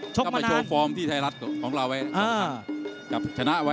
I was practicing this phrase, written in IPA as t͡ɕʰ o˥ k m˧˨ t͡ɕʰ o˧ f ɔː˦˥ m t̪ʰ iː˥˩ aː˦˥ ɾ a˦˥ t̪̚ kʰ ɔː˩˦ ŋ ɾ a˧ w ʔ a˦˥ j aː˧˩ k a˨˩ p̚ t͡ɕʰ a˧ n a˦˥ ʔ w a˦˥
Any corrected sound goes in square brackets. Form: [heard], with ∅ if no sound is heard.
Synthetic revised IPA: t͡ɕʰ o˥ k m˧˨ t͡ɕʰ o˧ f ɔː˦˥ m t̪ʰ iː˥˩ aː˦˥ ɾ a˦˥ t̪̚ kʰ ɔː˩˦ ŋ ɾ a˧ w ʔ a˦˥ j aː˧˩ k a˨˩ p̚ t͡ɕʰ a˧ n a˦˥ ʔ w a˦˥